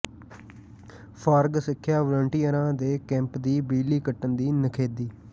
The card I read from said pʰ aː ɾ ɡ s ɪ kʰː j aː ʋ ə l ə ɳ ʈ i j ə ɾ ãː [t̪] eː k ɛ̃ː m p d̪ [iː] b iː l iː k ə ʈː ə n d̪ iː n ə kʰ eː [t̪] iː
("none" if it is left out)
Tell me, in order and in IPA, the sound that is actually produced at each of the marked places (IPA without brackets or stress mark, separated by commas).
d̪, iː, d̪